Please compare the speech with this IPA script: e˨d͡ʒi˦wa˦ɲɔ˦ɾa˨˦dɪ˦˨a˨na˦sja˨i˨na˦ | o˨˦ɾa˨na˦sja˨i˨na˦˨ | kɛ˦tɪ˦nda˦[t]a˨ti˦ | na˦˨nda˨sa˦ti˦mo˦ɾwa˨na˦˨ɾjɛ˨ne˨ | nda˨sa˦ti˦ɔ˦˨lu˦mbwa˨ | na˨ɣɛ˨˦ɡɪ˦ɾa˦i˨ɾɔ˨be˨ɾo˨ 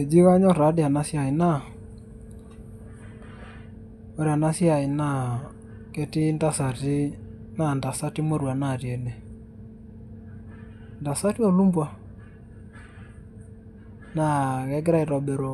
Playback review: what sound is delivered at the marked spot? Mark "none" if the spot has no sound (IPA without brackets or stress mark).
s